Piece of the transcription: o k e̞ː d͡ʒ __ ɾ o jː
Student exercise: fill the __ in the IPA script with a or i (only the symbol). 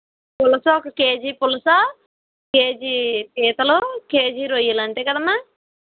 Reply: i